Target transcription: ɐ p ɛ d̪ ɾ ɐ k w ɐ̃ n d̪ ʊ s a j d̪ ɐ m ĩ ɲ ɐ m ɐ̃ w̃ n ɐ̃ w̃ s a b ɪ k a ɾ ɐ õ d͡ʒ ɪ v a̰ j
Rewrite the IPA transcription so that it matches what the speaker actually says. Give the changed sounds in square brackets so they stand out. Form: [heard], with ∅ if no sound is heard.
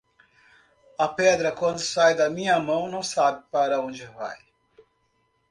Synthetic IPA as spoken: ɐ p ɛ d̪ ɾ ɐ k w ɐ̃ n d̪ ʊ s a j d̪ ɐ m ĩ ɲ ɐ m ɐ̃ w̃ n ɐ̃ w̃ s a b ɪ [p] a ɾ ɐ õ d͡ʒ ɪ v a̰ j